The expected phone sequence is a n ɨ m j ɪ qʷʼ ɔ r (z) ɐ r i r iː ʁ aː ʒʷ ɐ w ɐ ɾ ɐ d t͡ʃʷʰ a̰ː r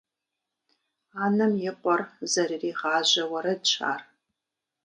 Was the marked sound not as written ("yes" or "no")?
no